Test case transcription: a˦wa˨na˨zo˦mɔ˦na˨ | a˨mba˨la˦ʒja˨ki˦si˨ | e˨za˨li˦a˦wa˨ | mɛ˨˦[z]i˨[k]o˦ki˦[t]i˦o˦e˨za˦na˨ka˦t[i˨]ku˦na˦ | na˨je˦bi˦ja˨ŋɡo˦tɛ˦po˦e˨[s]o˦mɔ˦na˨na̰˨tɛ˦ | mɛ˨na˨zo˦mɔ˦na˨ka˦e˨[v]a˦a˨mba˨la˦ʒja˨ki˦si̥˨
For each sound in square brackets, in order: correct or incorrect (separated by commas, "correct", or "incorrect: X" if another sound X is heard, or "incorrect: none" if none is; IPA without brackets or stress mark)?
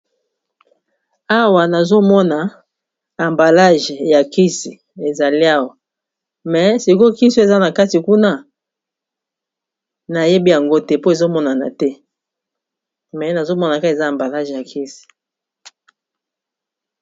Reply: incorrect: s, correct, incorrect: s, correct, incorrect: z, incorrect: z